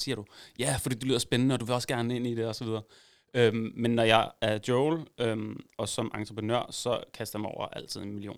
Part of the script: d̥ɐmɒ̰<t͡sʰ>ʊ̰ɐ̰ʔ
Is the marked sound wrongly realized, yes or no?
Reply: yes